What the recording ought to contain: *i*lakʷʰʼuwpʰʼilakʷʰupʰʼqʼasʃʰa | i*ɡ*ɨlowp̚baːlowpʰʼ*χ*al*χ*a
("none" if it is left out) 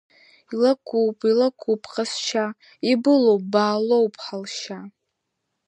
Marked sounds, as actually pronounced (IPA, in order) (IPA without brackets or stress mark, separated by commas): i, b, ħ, ʃ